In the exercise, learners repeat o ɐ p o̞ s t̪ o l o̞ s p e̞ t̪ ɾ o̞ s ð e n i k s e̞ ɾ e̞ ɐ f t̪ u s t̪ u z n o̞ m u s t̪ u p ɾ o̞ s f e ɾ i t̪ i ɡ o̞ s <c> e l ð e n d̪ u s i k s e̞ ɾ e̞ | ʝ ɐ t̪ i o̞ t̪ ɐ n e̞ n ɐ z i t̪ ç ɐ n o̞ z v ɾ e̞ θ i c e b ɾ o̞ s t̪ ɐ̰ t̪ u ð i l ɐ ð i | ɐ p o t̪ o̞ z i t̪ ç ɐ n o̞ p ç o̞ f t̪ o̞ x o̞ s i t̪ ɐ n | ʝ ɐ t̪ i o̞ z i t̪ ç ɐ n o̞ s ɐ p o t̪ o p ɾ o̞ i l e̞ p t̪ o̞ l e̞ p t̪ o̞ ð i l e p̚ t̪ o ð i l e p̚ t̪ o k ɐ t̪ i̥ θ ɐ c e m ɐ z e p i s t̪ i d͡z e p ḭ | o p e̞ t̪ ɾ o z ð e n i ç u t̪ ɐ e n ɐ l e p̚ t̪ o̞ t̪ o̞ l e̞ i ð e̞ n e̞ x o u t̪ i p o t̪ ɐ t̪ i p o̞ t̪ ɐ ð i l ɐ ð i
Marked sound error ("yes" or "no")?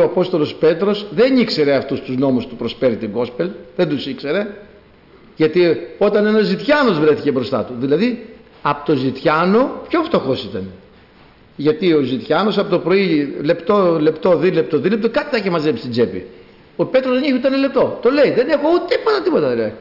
yes